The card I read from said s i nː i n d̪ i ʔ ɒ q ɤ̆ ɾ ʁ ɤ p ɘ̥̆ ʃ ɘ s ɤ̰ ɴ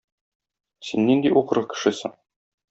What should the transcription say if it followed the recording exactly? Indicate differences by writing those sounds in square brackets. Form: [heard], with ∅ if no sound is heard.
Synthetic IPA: s i nː i n d̪ i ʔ [u] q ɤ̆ ɾ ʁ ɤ [k] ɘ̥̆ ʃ ɘ s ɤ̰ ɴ

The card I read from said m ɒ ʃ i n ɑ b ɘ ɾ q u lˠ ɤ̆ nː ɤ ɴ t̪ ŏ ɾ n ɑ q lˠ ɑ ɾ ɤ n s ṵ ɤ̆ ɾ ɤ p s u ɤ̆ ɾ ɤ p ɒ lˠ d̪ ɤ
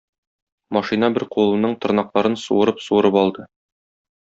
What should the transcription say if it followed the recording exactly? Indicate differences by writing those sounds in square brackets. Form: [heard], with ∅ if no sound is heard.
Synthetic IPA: m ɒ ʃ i n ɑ b ɘ ɾ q u lˠ ɤ̆ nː ɤ ɴ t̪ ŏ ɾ n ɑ q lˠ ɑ ɾ ɤ n s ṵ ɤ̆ ɾ ɤ p s u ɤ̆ ɾ ɤ p ɒ lˠ d̪ ɤ

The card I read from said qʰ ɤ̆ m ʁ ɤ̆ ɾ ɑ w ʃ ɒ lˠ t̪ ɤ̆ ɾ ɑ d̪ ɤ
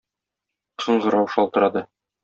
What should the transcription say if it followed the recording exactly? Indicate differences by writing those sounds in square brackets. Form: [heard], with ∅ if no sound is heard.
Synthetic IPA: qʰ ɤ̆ [ɴ] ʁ ɤ̆ ɾ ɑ w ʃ ɒ lˠ t̪ ɤ̆ ɾ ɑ d̪ ɤ

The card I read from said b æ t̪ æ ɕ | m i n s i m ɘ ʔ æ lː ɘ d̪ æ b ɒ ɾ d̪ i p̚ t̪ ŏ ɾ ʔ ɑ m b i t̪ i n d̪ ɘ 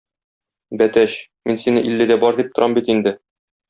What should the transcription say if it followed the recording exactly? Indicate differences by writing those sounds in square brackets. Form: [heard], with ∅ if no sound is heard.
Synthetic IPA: b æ t̪ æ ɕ | m i n s i [n] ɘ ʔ [i] lː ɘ d̪ æ b ɒ ɾ d̪ i p̚ t̪ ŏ ɾ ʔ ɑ m b i t̪ i n d̪ ɘ

